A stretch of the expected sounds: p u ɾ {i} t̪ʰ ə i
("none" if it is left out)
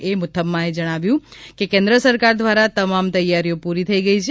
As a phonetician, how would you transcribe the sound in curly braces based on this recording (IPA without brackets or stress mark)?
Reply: i